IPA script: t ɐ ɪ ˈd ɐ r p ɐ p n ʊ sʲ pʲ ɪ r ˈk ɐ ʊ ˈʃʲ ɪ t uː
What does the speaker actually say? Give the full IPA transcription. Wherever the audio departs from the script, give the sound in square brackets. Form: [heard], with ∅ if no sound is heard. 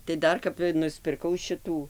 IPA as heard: t ɐ ɪ ˈd ɐ r [k] ɐ p n ʊ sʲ pʲ ɪ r ˈk ɐ ʊ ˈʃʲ ɪ t uː